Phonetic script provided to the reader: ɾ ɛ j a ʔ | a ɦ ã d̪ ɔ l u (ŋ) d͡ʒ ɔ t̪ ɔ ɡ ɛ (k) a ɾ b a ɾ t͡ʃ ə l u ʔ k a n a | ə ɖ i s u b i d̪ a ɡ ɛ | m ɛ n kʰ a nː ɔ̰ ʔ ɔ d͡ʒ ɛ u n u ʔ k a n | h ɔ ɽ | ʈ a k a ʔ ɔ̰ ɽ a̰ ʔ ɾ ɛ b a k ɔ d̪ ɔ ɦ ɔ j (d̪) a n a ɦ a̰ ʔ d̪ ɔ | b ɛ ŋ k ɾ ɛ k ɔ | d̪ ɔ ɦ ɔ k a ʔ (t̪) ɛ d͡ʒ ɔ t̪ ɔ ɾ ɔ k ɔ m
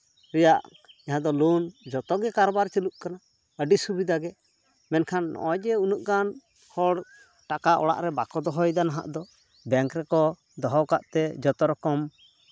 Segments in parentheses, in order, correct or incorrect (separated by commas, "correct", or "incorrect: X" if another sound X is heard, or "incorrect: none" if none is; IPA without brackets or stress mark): incorrect: n, correct, correct, correct